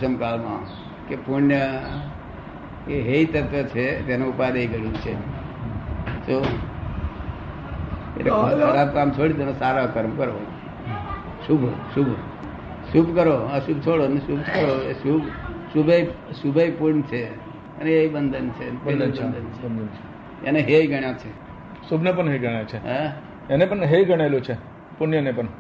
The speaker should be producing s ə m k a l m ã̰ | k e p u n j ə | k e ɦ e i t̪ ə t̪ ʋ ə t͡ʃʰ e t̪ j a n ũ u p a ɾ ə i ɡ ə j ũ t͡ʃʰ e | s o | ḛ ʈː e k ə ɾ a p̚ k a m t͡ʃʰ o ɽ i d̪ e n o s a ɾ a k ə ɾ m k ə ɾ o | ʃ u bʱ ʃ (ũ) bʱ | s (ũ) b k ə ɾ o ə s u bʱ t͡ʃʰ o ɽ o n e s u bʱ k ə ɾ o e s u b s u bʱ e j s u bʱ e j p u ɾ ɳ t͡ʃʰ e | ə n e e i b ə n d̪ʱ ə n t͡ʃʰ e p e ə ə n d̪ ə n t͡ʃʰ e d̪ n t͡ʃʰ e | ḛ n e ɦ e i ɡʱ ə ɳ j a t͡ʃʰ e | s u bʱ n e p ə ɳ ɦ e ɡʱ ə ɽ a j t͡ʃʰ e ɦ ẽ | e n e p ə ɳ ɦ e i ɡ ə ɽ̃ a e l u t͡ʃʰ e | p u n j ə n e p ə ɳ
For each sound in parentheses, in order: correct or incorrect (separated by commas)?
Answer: incorrect, incorrect